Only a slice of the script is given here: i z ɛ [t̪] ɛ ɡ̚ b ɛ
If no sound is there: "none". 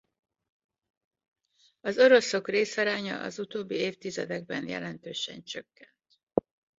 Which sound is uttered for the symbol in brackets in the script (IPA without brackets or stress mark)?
d̪